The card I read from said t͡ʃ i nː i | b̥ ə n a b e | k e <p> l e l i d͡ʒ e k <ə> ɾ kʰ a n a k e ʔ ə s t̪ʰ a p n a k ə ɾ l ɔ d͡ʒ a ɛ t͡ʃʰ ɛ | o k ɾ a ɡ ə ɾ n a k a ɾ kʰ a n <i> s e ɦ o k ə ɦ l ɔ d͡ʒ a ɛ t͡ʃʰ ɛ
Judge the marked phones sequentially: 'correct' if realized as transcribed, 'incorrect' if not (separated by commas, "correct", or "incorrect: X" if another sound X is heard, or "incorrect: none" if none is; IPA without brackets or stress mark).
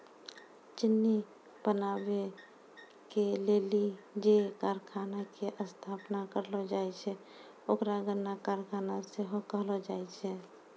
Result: incorrect: none, incorrect: a, incorrect: a